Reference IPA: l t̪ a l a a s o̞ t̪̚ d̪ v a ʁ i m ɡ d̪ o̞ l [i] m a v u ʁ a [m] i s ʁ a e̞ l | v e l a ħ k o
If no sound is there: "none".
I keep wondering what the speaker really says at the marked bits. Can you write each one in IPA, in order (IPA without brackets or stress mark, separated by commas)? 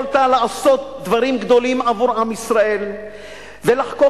i, m